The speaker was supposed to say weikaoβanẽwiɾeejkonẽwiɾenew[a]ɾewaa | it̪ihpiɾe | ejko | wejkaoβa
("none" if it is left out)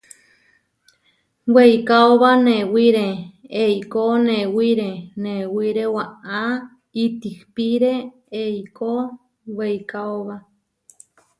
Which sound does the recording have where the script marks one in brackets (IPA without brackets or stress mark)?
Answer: i